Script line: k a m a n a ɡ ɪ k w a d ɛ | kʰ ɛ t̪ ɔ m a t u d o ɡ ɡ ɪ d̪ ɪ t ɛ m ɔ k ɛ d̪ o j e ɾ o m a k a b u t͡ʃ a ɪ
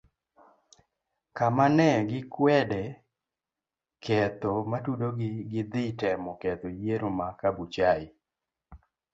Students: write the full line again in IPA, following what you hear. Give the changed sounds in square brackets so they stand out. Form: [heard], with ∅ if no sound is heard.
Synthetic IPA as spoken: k a m a n [ɛ] ɡ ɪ k w [ɛ] d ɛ | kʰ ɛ t̪ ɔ m a t u d o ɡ ɡ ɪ d̪ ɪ t ɛ m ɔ k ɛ [t̪] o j e ɾ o m a k a b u t͡ʃ a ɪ